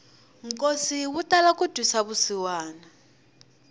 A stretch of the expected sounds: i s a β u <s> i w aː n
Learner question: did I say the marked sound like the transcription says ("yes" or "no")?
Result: yes